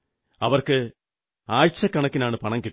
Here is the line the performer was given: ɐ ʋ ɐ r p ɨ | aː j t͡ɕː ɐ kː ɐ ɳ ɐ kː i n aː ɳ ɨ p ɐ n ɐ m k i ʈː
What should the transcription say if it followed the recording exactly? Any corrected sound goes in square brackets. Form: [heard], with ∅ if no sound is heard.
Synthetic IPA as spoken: ɐ ʋ ɐ r [k] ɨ | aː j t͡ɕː ɐ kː ɐ ɳ ɐ kː i n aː ɳ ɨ p ɐ [ɳ] ɐ [ŋ] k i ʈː